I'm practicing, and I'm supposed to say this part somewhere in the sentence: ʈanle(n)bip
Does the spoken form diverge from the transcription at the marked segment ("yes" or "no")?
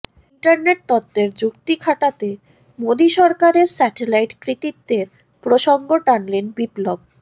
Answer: no